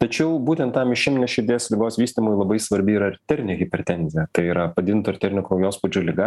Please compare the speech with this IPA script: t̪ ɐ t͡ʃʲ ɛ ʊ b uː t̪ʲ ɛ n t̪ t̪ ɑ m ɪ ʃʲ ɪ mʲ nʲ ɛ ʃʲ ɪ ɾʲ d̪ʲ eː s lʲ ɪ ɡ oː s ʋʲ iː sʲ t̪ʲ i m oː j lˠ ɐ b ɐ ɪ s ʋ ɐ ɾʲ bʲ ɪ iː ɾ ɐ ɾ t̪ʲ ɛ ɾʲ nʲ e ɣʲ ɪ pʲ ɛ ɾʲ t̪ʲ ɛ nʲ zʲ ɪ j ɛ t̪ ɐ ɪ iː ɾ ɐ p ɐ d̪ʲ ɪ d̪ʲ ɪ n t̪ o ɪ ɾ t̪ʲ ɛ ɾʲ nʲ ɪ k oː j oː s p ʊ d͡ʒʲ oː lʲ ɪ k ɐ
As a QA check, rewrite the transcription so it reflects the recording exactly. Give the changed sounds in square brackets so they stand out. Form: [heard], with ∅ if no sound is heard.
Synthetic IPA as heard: t̪ ɐ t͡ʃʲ ɛ ʊ b uː t̪ʲ ɛ n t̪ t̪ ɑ m ɪ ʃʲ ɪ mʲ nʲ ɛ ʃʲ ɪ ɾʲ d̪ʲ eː s lʲ ɪ ɡ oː s ʋʲ iː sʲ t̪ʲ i m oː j lˠ ɐ b ɐ ɪ s ʋ ɐ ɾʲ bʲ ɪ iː ɾ ɐ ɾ t̪ʲ ɛ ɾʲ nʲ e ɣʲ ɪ pʲ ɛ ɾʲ t̪ʲ ɛ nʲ zʲ ɪ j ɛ t̪ ɐ ɪ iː ɾ ɐ p ɐ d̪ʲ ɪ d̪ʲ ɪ n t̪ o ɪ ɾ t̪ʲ ɛ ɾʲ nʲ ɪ k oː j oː s p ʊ d͡ʒʲ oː lʲ ɪ [ɡ] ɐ

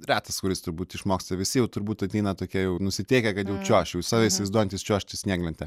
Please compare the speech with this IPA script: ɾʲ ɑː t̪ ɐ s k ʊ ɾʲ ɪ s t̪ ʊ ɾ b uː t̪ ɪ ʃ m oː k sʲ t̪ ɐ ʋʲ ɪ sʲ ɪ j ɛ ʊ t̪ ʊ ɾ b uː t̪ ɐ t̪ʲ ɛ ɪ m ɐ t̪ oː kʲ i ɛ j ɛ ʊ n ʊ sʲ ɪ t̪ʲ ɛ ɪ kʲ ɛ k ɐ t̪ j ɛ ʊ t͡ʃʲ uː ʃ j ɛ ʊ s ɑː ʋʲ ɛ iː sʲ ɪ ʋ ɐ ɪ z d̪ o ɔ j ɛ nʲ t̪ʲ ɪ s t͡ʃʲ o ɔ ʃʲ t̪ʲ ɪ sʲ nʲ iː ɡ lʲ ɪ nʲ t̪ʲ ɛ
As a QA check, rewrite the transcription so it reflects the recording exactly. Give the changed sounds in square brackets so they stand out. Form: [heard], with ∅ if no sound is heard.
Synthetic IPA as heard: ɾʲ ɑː t̪ ɐ s k ʊ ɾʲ ɪ s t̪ ʊ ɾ b uː t̪ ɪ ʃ m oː k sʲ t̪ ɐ ʋʲ ɪ sʲ ɪ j ɛ ʊ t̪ ʊ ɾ b uː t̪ ɐ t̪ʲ ɛ ɪ [n] ɐ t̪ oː kʲ i ɛ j ɛ ʊ n ʊ sʲ ɪ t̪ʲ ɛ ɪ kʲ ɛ k ɐ t̪ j ɛ ʊ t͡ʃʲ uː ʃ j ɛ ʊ s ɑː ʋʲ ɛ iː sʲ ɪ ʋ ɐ ɪ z d̪ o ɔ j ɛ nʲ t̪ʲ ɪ s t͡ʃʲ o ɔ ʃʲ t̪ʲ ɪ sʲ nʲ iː ɡ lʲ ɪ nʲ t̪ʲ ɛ

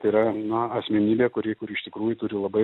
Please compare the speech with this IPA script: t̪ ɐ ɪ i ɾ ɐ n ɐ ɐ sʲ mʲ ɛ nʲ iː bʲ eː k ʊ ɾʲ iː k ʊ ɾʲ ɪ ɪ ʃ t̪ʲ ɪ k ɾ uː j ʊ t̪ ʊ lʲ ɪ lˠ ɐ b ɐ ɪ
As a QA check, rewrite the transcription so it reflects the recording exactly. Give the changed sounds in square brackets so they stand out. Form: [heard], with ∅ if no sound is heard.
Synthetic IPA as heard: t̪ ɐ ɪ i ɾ ɐ n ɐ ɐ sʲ mʲ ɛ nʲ iː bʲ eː k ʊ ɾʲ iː k ʊ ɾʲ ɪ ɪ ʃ t̪ʲ ɪ k ɾ uː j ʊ t̪ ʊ [ɾʲ] ɪ lˠ ɐ b ɐ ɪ

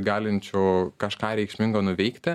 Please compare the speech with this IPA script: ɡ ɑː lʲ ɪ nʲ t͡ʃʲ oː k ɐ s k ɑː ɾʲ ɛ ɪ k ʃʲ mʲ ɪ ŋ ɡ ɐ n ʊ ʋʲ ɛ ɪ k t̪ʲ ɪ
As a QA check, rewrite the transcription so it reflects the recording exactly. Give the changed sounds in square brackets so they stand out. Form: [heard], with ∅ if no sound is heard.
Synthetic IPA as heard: ɡ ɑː lʲ ɪ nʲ t͡ʃʲ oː k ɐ [ʃ] k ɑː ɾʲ ɛ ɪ k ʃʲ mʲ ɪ ŋ ɡ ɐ n ʊ ʋʲ ɛ ɪ k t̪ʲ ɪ

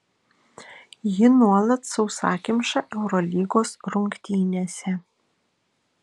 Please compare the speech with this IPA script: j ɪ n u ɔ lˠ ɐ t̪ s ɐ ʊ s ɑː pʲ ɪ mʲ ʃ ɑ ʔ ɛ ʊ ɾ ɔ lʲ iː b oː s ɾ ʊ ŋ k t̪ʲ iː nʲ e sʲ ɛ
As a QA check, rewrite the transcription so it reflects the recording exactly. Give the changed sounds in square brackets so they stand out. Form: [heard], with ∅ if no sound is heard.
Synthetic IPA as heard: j ɪ n u ɔ lˠ ɐ t̪ s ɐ ʊ s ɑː [kʲ] ɪ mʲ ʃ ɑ ʔ ɛ ʊ ɾ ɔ lʲ iː [ɡ] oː s ɾ ʊ ŋ k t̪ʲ iː nʲ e sʲ ɛ

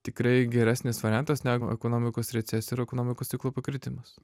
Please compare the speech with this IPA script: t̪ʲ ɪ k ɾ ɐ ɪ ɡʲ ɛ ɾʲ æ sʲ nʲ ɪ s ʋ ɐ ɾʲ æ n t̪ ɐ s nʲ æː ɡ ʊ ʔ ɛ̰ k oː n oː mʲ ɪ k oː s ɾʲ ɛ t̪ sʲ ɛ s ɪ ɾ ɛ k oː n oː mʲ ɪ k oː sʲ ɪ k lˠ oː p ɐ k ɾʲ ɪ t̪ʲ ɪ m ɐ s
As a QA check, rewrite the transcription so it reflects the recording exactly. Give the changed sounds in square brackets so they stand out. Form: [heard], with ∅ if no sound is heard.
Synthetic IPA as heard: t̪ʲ ɪ k ɾ ɐ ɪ ɡʲ ɛ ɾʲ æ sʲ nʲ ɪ s ʋ ɐ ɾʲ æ n t̪ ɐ s nʲ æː ɡ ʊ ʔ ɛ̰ k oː n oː mʲ ɪ k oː s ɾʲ ɛ t̪ sʲ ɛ s ɪ ɾ ɛ k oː n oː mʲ ɪ k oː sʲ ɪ k lˠ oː p ɐ k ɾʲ ɪ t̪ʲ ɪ m ɐ s

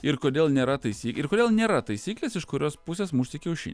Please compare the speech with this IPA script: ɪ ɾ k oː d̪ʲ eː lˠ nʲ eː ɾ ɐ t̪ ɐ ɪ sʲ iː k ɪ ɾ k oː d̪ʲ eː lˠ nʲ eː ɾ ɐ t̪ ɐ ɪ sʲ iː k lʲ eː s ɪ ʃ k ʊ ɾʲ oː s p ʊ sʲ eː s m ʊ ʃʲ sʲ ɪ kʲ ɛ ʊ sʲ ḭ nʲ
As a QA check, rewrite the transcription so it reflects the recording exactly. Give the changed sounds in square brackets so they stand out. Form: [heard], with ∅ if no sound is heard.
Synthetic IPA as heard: ɪ ɾ k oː d̪ʲ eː lˠ nʲ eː ɾ ɐ t̪ ɐ ɪ sʲ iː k ɪ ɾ k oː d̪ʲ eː lˠ nʲ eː ɾ ɐ t̪ ɐ ɪ sʲ iː k lʲ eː s ɪ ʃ k ʊ ɾʲ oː s p ʊ sʲ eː s m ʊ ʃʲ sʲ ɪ kʲ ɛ ʊ [ʃʲ] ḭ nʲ

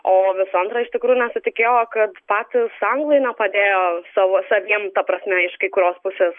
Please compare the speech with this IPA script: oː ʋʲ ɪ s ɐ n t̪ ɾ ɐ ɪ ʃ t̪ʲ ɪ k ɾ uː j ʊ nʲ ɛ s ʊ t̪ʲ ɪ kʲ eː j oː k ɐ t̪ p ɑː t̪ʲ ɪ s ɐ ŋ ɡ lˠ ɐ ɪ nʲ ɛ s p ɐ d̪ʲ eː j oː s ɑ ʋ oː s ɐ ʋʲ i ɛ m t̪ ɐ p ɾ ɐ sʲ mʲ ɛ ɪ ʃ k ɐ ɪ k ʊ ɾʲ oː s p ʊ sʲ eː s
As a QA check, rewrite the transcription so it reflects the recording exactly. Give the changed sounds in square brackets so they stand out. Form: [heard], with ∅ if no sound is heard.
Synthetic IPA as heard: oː ʋʲ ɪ s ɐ n t̪ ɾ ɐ ɪ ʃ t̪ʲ ɪ k ɾ uː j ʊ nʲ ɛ s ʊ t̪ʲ ɪ kʲ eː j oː k ɐ t̪ p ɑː t̪ʲ ɪ s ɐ ŋ ɡ lˠ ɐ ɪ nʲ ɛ [∅] p ɐ d̪ʲ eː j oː s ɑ ʋ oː s ɐ ʋʲ i ɛ m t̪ ɐ p ɾ ɐ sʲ mʲ ɛ ɪ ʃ k ɐ ɪ k ʊ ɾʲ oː s p ʊ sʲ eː s

